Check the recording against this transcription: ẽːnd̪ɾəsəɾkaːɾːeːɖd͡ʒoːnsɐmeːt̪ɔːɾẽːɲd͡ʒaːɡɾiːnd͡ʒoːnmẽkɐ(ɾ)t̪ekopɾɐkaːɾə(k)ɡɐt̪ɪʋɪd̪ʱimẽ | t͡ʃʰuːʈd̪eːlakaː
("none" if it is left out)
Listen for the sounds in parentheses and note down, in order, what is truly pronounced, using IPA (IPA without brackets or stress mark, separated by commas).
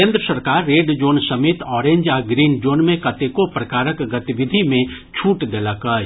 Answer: none, k